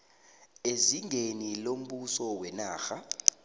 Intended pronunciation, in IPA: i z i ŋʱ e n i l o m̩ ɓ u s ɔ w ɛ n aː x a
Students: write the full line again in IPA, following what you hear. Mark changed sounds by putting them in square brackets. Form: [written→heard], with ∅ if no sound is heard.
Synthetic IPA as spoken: [i→e] z i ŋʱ e n i l o m̩ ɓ u s ɔ w ɛ n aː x a